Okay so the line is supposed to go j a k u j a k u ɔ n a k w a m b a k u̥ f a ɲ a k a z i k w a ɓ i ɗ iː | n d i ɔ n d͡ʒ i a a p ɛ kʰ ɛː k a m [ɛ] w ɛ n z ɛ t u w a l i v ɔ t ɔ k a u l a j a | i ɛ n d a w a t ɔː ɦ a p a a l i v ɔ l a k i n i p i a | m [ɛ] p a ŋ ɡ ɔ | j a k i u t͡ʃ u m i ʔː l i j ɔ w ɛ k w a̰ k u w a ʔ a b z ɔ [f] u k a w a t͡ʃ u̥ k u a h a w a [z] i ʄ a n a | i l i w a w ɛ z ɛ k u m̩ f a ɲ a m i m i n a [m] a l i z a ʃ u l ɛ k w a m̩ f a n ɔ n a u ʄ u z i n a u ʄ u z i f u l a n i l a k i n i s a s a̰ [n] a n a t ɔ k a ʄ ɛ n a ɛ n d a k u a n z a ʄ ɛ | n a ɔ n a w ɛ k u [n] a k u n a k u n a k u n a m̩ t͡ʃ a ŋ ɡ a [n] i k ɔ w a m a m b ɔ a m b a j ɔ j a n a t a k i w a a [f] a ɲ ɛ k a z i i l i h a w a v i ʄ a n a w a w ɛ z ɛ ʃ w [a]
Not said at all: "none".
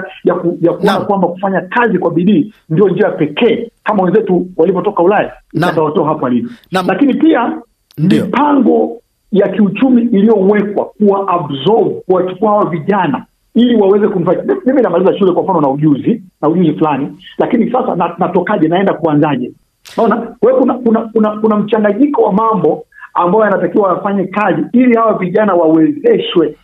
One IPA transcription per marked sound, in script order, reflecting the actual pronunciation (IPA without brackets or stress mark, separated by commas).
a, i, v, v, m, n, n, ɲ, f, ɛ